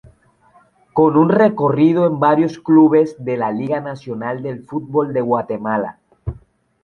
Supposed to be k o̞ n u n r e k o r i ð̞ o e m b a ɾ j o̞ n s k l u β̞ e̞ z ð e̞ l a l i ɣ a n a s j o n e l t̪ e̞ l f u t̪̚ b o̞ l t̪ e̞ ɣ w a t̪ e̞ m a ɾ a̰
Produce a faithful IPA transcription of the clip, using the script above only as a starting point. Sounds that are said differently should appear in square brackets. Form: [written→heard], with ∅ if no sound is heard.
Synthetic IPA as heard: k o̞ n u n r e k o r i ð̞ o e m b a ɾ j o̞ [n→∅] s k l u β̞ e̞ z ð e̞ l a l i ɣ a n a s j o n [e→a] l [t̪→d̪] e̞ l f u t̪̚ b o̞ l [t̪→d̪] e̞ ɣ w a t̪ e̞ m a [ɾ→l] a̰